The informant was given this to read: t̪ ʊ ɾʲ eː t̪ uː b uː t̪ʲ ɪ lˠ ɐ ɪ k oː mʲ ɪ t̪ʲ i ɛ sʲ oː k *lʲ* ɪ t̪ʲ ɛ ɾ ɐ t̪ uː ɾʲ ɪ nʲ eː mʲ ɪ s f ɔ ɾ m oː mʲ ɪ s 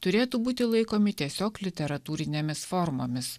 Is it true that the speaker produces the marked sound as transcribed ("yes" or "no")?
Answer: yes